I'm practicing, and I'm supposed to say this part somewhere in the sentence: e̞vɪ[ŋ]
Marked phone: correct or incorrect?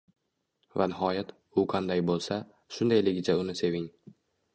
correct